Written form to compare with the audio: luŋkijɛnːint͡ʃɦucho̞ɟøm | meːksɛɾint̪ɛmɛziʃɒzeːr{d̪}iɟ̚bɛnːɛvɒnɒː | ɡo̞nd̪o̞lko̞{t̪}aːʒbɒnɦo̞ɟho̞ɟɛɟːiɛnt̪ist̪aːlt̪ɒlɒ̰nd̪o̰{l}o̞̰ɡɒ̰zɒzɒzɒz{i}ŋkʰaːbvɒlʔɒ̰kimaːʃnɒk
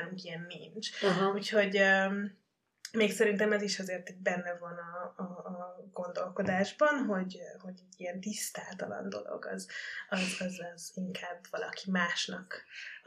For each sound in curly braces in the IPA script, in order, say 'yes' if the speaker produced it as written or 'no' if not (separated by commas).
no, no, yes, yes